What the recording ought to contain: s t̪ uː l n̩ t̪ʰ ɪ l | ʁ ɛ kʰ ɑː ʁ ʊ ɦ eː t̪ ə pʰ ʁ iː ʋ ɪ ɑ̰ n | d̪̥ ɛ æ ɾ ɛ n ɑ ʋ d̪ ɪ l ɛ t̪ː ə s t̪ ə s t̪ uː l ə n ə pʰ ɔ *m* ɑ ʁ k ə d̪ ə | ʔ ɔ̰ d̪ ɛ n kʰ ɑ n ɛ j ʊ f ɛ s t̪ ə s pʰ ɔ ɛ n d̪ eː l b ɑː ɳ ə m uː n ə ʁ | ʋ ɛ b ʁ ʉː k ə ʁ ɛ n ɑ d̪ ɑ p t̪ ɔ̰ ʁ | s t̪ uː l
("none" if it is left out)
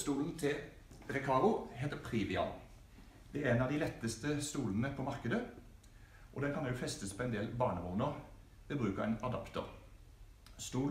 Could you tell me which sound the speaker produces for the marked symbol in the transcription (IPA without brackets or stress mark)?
m